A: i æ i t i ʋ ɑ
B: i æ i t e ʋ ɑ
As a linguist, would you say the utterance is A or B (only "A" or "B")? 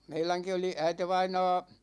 B